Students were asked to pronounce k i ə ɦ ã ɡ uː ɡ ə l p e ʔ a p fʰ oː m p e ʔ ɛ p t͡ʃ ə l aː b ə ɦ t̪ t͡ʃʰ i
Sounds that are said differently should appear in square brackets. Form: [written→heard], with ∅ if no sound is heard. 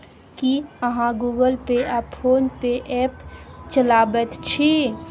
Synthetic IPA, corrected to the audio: k i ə ɦ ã ɡ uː ɡ ə l p e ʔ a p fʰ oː [m→n] p e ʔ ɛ p t͡ʃ ə l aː b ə [ɦ→∅] t̪ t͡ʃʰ i

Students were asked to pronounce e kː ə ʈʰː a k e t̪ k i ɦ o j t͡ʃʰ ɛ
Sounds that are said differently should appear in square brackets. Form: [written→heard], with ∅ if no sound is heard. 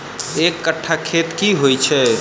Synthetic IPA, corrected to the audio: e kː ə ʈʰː a [k→kʰ] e t̪ k i ɦ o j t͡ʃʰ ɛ

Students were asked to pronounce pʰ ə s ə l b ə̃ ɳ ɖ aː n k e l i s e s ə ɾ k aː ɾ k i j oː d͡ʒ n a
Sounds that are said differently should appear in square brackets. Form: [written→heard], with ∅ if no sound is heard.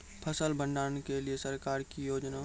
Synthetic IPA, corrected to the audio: pʰ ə s ə l b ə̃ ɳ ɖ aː n k e l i [s→∅] e s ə ɾ k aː ɾ k i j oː d͡ʒ n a

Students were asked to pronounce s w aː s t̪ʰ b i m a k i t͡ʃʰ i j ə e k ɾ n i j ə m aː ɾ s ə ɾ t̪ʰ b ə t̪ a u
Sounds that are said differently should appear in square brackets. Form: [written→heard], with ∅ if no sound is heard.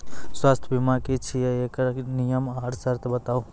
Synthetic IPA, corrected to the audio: s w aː s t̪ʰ b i m a k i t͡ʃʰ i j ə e k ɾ n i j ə m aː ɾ s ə ɾ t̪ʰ b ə t̪ a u

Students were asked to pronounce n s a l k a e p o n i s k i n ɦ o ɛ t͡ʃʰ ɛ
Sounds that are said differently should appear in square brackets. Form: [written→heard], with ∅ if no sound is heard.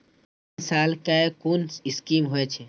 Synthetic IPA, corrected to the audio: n s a l k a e [p→k] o n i s k i [n→m] ɦ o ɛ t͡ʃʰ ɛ

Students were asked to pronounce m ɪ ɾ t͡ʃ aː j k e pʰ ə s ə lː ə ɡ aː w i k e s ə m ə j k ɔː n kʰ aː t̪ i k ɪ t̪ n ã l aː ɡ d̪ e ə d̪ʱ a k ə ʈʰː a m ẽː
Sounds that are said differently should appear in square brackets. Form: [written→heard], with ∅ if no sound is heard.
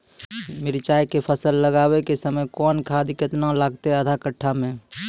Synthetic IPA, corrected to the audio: m ɪ ɾ t͡ʃ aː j k e pʰ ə s ə lː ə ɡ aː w [i→e] k e s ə m ə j k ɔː n kʰ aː [t̪→d̪] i k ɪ t̪ n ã l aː ɡ [d̪→t̪] e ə d̪ʱ a k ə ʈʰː a m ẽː

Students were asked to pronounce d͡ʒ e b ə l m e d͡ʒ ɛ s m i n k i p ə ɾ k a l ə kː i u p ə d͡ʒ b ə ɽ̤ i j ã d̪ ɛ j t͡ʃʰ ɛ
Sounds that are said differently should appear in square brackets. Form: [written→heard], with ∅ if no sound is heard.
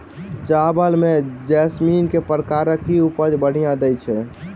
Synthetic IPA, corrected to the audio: d͡ʒ [e→a] b ə l m e d͡ʒ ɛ s m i n k [i→e] p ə ɾ k a [l→ɾ] ə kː i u p ə d͡ʒ b ə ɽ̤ i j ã d̪ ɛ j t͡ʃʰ ɛ

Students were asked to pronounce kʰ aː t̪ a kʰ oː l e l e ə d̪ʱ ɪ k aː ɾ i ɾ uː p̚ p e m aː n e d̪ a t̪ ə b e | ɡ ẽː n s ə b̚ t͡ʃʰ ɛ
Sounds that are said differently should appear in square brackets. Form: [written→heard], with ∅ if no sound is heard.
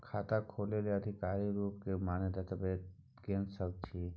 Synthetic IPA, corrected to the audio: kʰ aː t̪ a kʰ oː l e l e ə d̪ʱ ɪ k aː ɾ i ɾ uː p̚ [p→k] e m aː n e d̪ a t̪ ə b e | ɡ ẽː n s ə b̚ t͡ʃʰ [ɛ→i]

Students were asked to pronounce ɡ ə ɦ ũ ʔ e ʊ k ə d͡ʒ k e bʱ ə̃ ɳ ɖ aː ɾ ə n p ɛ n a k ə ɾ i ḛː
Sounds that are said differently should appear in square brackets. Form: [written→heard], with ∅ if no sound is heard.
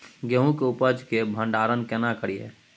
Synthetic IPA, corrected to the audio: ɡ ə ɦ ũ [ʔ→k] e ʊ [k→p] ə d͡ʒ k e bʱ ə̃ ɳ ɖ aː ɾ ə n [p→k] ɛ n a k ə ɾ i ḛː

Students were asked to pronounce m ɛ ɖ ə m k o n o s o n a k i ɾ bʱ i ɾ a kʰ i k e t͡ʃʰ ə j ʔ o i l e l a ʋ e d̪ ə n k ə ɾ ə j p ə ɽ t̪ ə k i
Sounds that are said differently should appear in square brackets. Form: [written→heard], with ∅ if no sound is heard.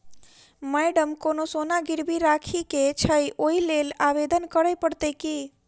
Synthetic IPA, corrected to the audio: m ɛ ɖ ə m k o n o s o n a [k→ɡ] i ɾ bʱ i ɾ a kʰ i k e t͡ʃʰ ə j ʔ o i l e l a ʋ e d̪ ə n k ə ɾ ə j p ə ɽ t̪ ə k i

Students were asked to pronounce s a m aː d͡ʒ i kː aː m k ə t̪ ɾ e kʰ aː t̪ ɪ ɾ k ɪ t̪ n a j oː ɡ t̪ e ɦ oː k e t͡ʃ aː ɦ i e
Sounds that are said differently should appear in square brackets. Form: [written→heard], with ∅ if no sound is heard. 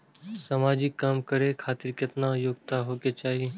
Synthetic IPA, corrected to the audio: s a m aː d͡ʒ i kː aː m k ə [t̪→∅] ɾ e kʰ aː t̪ ɪ ɾ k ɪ t̪ n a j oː ɡ t̪ [e→a] ɦ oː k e t͡ʃ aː ɦ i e

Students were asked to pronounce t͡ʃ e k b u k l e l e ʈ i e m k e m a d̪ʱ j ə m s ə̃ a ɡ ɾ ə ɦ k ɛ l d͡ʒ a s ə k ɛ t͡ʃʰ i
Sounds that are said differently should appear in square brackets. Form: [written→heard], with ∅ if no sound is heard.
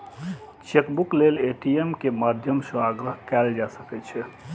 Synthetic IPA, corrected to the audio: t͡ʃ e k b u k l e l e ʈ i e m k e m a d̪ʱ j ə m s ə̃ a ɡ ɾ ə ɦ k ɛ l d͡ʒ a s ə k ɛ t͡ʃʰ [i→ɛ]

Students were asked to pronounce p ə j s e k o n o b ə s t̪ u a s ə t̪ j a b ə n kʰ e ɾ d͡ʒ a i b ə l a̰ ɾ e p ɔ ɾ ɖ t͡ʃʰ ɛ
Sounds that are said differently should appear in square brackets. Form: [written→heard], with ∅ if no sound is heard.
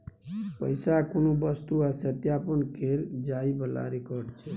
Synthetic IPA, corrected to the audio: p ə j s [e→a] k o n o b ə s t̪ u a s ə t̪ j a [b→p] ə n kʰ e ɾ d͡ʒ a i b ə l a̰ ɾ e [p→k] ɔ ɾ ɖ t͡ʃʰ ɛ

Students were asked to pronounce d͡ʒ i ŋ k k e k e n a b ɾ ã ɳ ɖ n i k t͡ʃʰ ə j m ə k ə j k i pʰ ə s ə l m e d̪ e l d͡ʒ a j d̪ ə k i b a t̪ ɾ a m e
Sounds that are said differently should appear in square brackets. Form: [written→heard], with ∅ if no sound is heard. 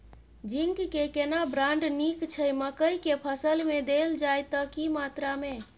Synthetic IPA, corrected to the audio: d͡ʒ i ŋ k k e k e n a b ɾ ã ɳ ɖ n i k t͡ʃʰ ə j m ə k ə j k [i→e] pʰ ə s ə l m e d̪ e l d͡ʒ a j [d̪→t̪] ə k i [b→m] a t̪ ɾ a m e

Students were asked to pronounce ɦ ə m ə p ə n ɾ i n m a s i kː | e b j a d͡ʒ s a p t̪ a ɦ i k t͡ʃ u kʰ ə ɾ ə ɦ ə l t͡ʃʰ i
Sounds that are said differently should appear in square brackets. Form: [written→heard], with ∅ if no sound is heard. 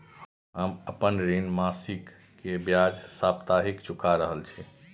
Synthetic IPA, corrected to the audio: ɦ ə m ə p ə n ɾ i n m a s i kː | e b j a d͡ʒ s a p t̪ a ɦ i k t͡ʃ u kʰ [ə→a] ɾ ə ɦ ə l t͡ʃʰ i

